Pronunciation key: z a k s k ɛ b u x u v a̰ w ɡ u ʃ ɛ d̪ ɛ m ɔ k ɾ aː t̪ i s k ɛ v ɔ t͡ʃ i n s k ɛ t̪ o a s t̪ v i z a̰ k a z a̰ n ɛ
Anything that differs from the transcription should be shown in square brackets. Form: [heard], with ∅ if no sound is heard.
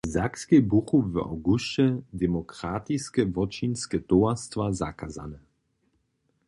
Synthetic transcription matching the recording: z a k s k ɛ b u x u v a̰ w ɡ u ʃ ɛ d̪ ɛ m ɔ k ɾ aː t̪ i s k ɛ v ɔ t͡ʃ i n s k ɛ t̪ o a s t̪ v [a] z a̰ k a z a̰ n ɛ